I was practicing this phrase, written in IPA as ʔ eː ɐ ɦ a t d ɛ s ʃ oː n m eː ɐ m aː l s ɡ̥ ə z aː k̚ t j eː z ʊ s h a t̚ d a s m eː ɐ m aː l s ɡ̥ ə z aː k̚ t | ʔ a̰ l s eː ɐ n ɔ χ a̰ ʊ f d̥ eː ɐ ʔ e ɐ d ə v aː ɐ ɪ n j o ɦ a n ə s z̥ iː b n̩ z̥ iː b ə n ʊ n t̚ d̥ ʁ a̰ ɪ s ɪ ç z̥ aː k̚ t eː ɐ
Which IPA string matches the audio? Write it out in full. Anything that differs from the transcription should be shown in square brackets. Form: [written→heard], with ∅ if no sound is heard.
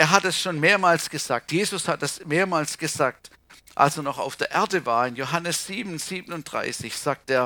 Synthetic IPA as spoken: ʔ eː ɐ ɦ a t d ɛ s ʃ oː n m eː ɐ m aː l s ɡ̥ ə z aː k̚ t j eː z ʊ s h a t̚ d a s m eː ɐ m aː l s ɡ̥ ə z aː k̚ t | ʔ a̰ l s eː ɐ n ɔ χ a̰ ʊ f d̥ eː ɐ ʔ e ɐ d ə v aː ɐ ɪ n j o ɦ a n ə s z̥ iː b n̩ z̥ iː b ə n ʊ n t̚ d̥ ʁ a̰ ɪ s ɪ ç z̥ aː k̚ t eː ɐ